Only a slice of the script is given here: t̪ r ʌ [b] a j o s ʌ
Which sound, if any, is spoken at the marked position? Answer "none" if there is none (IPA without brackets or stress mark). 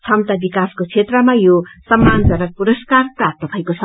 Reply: m